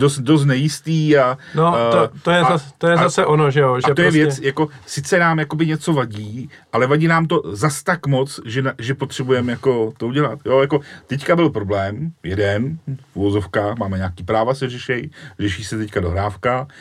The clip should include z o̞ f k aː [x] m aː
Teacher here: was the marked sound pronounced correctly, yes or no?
yes